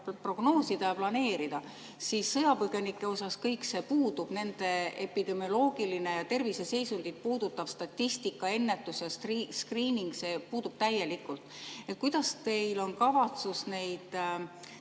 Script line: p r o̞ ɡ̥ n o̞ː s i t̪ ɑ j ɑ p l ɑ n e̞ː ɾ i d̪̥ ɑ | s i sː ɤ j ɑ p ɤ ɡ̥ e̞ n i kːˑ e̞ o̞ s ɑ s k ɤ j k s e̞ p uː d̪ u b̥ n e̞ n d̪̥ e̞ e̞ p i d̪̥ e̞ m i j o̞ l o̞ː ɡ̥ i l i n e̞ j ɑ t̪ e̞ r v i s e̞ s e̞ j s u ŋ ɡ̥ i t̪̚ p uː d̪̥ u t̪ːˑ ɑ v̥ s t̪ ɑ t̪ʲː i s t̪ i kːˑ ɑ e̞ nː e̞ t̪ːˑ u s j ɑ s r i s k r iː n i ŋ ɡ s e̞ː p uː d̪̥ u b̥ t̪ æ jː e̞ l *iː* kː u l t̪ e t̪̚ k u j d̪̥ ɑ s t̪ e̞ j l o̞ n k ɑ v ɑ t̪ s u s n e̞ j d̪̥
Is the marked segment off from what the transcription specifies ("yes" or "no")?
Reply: yes